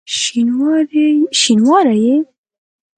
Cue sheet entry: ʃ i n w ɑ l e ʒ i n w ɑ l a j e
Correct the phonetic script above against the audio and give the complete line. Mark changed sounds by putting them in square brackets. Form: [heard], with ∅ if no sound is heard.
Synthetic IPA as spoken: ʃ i n w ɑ [ɾ] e [ʃ] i n w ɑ [ɾ] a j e